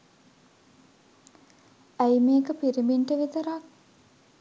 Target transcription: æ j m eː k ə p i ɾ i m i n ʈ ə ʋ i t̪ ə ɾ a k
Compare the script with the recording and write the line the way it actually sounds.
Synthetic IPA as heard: æ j m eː k ə p i ɾ i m i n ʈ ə ʋ i t̪ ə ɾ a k